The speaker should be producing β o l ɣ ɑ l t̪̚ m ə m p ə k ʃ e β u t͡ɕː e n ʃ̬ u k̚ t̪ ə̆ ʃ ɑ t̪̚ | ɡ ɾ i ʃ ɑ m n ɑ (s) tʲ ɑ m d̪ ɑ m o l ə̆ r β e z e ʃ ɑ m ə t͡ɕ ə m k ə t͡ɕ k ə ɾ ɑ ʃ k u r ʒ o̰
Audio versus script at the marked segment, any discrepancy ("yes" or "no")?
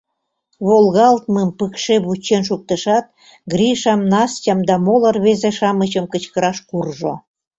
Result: no